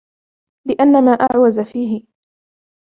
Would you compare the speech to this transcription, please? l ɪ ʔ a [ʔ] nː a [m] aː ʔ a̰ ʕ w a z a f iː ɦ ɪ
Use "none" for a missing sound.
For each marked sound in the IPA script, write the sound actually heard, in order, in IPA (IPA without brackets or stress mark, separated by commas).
none, m